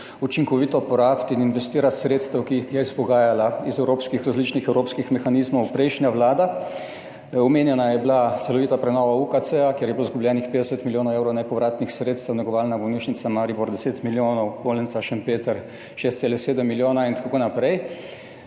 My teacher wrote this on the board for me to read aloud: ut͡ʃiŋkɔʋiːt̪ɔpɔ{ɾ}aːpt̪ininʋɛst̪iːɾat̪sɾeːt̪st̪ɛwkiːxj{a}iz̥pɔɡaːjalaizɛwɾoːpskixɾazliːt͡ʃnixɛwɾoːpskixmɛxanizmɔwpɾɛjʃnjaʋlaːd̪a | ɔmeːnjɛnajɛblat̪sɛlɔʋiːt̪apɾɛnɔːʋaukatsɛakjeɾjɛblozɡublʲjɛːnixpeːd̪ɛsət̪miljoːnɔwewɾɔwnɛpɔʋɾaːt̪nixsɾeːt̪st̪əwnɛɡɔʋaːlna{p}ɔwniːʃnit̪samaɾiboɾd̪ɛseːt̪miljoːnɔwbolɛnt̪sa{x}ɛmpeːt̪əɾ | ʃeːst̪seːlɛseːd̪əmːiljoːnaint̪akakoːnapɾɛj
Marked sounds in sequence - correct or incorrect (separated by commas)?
correct, incorrect, incorrect, incorrect